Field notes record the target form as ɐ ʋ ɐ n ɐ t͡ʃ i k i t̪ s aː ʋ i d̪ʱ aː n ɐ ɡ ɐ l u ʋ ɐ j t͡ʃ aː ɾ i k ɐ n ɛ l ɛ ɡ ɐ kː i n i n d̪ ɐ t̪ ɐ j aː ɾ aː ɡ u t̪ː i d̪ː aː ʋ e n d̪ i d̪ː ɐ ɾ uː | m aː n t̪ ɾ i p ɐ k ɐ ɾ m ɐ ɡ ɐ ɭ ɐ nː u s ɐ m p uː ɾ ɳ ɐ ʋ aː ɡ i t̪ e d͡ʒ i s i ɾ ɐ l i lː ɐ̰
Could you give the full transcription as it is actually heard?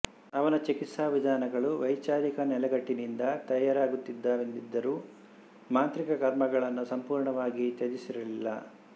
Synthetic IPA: ɐ ʋ ɐ n ɐ t͡ʃ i k i t̪ s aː ʋ i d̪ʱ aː n ɐ ɡ ɐ ɭ u ʋ ɐ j t͡ʃ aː ɾ i k ɐ n ɛ l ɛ ɡ ɐ ʈː i n i n d̪ ɐ t̪ ɐ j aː ɾ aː ɡ u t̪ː i d̪ː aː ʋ e n d̪ i d̪ː ɐ ɾ uː | m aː n t̪ ɾ i k ɐ k ɐ ɾ m ɐ ɡ ɐ ɭ ɐ nː u s ɐ m p uː ɾ ɳ ɐ ʋ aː ɡ i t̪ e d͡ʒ i s i ɾ ɐ l i lː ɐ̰